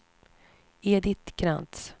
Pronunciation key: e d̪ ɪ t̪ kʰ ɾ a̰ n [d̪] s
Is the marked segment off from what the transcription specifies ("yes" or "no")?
yes